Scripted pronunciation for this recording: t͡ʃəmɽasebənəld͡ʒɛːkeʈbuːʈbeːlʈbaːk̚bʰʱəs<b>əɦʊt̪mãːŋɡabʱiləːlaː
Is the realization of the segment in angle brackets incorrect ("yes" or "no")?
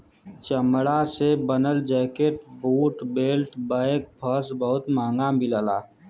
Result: no